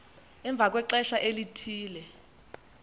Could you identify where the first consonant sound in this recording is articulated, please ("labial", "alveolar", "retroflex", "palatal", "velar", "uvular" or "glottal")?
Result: labial